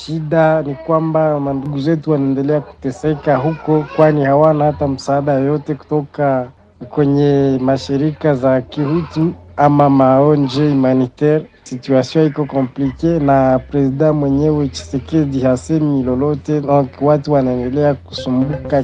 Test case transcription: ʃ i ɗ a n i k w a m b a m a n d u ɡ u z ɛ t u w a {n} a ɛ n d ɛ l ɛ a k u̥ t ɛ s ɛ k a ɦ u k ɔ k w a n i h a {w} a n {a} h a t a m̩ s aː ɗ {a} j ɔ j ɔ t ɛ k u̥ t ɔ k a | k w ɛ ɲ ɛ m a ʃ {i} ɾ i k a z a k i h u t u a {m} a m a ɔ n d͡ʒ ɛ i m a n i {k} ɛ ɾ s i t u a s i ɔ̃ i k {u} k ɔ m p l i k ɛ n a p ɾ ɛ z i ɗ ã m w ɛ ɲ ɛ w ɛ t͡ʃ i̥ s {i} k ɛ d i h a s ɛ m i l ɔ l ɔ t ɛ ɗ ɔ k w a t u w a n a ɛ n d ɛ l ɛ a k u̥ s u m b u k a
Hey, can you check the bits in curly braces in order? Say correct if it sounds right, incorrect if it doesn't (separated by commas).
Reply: correct, correct, correct, correct, correct, correct, incorrect, incorrect, incorrect